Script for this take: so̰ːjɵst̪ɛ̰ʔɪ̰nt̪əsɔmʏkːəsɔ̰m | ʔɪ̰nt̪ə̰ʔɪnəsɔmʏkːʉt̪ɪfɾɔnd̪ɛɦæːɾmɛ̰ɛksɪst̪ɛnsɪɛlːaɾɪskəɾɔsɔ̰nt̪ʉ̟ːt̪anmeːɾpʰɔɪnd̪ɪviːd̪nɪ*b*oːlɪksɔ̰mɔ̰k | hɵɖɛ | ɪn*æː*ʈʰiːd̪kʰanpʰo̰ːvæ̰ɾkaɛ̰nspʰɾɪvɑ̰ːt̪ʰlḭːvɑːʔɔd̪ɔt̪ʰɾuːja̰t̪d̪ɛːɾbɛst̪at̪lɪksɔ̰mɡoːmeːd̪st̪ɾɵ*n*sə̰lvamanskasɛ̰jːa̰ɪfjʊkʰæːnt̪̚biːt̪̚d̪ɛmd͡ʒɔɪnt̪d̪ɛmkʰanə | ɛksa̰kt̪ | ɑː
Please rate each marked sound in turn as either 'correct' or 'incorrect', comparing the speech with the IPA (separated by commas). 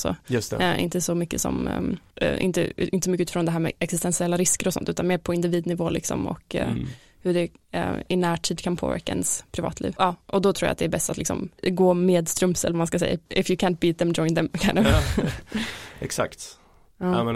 incorrect, correct, incorrect